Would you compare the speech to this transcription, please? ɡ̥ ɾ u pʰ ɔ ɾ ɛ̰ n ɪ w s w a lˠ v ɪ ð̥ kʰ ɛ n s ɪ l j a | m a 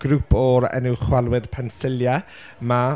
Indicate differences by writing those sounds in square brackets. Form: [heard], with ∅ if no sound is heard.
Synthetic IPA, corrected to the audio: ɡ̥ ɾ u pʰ ɔ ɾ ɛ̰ n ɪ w [χ] w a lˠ [w] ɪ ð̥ [pʰ] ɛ n s ɪ l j a | m a